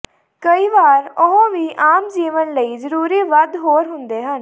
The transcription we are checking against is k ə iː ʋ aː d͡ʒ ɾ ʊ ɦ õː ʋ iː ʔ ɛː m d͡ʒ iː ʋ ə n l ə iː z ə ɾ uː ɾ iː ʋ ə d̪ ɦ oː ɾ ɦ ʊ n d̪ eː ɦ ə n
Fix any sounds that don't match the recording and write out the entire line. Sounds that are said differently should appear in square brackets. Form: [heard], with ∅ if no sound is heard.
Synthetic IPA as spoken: k ə iː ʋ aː [∅] ɾ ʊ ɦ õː ʋ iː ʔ [aː] m d͡ʒ iː ʋ ə n l ə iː z ə ɾ uː ɾ iː ʋ ə d̪ ɦ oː ɾ ɦ ʊ n d̪ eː ɦ ə n

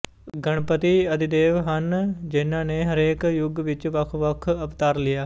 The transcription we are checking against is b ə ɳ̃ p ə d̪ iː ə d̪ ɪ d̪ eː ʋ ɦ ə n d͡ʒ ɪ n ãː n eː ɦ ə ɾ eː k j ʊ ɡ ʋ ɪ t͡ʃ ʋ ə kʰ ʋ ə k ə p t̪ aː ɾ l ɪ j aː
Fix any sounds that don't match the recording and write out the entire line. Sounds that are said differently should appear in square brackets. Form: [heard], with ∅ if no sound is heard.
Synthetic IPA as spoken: [ɡ] ə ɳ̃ p ə [t̪] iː ə d̪ ɪ d̪ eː ʋ ɦ ə n d͡ʒ ɪ n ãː n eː ɦ ə ɾ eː k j ʊ ɡ ʋ ɪ t͡ʃ ʋ ə kʰ ʋ ə [kʰ] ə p t̪ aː ɾ l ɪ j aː

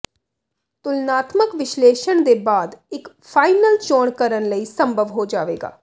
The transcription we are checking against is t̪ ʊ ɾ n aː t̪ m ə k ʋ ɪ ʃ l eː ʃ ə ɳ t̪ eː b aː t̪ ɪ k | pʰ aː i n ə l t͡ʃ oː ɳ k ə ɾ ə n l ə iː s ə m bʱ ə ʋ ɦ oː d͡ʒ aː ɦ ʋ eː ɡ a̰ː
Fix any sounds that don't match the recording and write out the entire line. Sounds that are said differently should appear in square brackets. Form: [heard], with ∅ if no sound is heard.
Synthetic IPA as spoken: t̪ ʊ [l] n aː t̪ m ə k ʋ ɪ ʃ l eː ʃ ə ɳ [d̪] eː b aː [d̪] ɪ k | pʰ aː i n ə l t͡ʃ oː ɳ k ə ɾ ə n l ə iː s ə m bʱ ə ʋ ɦ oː d͡ʒ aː [∅] ʋ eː ɡ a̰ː

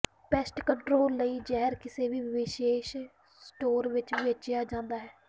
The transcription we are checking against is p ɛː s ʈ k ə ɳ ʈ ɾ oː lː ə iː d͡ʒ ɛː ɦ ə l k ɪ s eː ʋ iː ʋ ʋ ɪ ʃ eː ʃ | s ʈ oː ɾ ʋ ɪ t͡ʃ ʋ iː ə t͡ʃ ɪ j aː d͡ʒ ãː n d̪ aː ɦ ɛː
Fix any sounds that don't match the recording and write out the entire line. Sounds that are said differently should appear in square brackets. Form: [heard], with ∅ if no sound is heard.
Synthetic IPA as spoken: p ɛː s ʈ k ə ɳ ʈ ɾ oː lː ə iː d͡ʒ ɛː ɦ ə [ɾ] k ɪ s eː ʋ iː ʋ ʋ ɪ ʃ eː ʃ | s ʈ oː ɾ ʋ ɪ t͡ʃ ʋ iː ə t͡ʃ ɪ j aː d͡ʒ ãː n d̪ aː ɦ ɛː

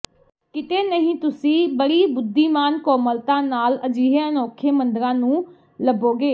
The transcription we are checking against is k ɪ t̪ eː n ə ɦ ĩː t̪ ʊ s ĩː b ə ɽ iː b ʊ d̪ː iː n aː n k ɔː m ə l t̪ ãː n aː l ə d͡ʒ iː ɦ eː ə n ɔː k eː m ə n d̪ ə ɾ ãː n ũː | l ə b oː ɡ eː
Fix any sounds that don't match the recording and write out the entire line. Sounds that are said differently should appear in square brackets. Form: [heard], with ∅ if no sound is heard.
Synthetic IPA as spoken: k ɪ t̪ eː n ə ɦ ĩː t̪ ʊ s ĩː b ə ɽ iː b ʊ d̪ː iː [m] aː n k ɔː m ə l t̪ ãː n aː l ə d͡ʒ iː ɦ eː ə n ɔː [kʰ] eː m ə n d̪ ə ɾ ãː n ũː | l ə b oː ɡ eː

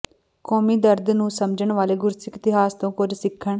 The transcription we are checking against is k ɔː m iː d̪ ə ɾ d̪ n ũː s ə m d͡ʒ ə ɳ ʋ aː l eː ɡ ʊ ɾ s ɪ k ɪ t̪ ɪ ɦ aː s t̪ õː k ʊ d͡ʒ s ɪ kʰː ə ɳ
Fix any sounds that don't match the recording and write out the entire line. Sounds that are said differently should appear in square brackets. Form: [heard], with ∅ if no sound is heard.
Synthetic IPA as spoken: k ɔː m iː d̪ ə ɾ d̪ n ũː s ə m d͡ʒ ə ɳ ʋ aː l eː ɡ ʊ ɾ s ɪ k ɪ t̪ ɪ ɦ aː s t̪ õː k ʊ d͡ʒ s ɪ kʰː ə ɳ

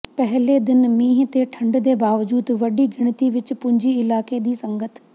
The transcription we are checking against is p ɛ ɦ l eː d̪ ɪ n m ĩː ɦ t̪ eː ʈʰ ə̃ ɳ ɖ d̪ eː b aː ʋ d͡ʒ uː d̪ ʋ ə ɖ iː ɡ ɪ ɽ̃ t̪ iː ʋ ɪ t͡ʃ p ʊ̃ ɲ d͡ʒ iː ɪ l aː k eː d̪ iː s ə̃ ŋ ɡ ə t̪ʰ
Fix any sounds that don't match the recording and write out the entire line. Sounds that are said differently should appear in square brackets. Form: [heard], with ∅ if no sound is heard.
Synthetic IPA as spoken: p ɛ ɦ l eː d̪ ɪ n m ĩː ɦ t̪ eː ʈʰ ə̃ ɳ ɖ d̪ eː b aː ʋ d͡ʒ uː d̪ ʋ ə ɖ iː ɡ ɪ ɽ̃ t̪ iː ʋ ɪ t͡ʃ p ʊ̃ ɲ d͡ʒ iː ɪ l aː k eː d̪ iː s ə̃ ŋ ɡ ə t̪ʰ

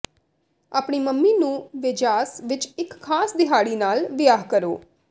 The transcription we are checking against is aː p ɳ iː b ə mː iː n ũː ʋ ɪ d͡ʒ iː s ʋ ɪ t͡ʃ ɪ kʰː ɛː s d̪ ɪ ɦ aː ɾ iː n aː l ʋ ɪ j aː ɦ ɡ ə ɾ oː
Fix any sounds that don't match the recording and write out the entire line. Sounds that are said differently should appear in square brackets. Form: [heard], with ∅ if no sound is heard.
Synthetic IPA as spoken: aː p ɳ iː [m] ə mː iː n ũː ʋ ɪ d͡ʒ [aː] s ʋ ɪ t͡ʃ ɪ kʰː [aː] s d̪ ɪ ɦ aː [ɽ] iː n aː l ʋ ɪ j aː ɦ [k] ə ɾ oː

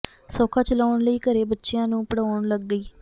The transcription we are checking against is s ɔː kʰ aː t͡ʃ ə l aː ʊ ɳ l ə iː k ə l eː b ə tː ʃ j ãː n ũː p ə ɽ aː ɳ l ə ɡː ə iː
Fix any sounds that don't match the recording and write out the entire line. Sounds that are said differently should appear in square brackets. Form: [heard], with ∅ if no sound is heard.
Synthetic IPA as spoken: s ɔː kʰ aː t͡ʃ ə l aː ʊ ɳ l ə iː k ə [ɾ] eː b ə tː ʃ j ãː n ũː p ə ɽ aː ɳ l ə ɡː ə iː

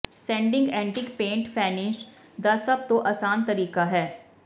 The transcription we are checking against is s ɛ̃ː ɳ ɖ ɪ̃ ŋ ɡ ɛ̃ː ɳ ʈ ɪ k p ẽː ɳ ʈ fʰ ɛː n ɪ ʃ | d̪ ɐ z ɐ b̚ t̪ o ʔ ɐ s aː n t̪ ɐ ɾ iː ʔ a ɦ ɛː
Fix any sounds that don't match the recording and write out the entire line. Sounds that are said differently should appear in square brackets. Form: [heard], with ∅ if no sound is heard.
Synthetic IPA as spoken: s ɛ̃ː ɳ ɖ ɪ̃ ŋ ɡ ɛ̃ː ɳ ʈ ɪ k p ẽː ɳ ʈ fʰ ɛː n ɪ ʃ | d̪ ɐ [s] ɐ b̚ t̪ o ʔ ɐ s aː n t̪ ɐ ɾ iː [k] a ɦ ɛː

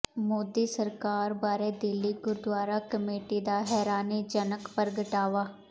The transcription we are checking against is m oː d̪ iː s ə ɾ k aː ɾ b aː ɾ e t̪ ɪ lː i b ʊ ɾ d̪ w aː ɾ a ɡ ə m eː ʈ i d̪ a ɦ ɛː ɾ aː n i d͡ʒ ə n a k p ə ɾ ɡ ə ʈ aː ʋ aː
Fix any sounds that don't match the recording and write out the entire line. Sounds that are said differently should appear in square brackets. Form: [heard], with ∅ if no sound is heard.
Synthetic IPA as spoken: m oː d̪ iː s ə ɾ k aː ɾ b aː ɾ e [d̪] ɪ lː i [ɡ] ʊ ɾ d̪ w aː ɾ a [k] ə m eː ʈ i d̪ a ɦ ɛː ɾ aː n i d͡ʒ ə n [ə] k p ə ɾ ɡ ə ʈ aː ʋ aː

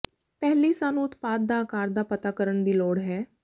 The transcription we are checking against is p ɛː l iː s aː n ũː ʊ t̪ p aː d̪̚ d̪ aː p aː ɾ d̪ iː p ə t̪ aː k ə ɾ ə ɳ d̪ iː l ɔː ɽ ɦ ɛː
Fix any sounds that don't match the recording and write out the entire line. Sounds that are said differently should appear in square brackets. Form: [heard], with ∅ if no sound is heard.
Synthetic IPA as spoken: p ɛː l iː s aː n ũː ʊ t̪ p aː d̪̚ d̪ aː [k] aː ɾ d̪ [aː] p ə t̪ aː k ə ɾ ə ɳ d̪ iː l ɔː ɽ ɦ ɛː

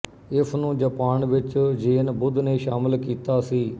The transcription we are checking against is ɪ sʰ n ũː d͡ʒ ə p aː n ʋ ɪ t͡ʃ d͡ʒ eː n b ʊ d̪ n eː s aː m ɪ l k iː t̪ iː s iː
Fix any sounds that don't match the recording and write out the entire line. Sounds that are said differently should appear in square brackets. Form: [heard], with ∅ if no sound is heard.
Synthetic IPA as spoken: ɪ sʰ n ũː d͡ʒ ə p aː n ʋ ɪ t͡ʃ d͡ʒ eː n b ʊ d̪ n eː [ʃ] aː m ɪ l k iː t̪ [aː] s iː

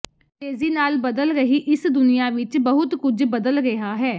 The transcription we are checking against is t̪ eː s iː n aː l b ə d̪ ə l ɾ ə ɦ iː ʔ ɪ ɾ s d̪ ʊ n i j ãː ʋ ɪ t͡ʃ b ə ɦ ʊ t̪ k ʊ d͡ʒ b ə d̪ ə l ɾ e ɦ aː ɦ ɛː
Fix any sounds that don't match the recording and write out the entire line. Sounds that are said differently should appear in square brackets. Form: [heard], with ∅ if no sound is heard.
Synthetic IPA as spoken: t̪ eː [z] iː n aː l b ə d̪ ə l ɾ ə ɦ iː ʔ ɪ [∅] s d̪ ʊ n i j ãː ʋ ɪ t͡ʃ b ə ɦ ʊ t̪ k ʊ d͡ʒ b ə d̪ ə l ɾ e ɦ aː ɦ ɛː

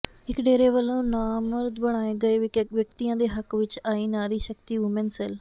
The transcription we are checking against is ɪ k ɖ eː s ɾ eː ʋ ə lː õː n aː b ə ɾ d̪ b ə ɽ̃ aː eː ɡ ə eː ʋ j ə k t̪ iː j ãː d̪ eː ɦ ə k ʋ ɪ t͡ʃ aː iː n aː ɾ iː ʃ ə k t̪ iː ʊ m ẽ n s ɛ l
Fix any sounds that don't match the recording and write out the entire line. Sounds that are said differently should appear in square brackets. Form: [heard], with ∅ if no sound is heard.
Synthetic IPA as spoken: ɪ k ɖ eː [∅] ɾ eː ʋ ə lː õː n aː [m] ə ɾ d̪ b ə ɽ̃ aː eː ɡ ə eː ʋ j ə k t̪ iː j ãː d̪ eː ɦ ə k ʋ ɪ t͡ʃ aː iː n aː ɾ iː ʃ ə k t̪ iː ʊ m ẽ n s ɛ l

